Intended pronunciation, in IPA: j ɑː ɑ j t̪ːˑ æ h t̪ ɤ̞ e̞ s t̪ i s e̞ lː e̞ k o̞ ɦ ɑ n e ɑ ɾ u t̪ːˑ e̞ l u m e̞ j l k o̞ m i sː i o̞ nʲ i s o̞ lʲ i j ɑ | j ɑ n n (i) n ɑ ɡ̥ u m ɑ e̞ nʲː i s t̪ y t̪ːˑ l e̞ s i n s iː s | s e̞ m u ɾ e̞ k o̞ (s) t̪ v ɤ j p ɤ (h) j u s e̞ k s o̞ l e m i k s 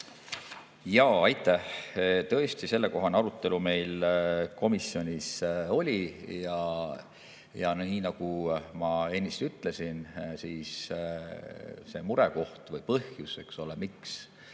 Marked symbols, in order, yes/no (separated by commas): no, no, yes